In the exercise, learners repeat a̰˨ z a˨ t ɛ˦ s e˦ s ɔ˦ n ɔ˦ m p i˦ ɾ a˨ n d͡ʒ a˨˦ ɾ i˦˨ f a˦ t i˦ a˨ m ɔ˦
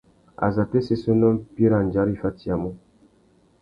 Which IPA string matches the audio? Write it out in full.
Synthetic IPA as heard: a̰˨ z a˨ t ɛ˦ s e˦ s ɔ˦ n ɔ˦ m p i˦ ɾ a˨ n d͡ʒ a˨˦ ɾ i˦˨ f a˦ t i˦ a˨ m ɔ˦